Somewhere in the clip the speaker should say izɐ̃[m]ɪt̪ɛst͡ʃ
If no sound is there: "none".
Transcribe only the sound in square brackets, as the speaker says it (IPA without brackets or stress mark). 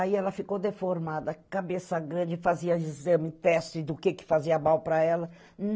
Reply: m